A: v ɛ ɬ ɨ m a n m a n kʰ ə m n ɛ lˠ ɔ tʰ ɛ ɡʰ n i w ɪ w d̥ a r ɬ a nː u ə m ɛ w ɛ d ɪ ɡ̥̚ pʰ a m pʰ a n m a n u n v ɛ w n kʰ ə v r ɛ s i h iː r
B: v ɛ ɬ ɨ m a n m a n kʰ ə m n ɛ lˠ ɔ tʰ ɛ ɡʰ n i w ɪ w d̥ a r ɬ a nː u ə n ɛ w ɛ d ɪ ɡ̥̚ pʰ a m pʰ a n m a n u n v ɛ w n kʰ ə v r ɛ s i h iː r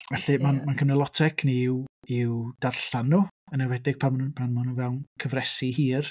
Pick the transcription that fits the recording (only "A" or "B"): B